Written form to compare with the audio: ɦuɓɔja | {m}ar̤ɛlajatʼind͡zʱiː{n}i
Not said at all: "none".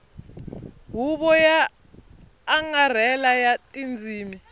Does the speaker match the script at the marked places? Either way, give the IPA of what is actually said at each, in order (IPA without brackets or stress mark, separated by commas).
ŋ, m